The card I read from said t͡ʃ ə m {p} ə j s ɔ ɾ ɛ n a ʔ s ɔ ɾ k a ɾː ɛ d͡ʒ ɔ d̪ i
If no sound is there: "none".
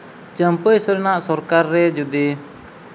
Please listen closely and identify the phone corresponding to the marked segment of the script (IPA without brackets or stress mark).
p